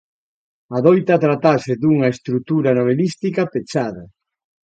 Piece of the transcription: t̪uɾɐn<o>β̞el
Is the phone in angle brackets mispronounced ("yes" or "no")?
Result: no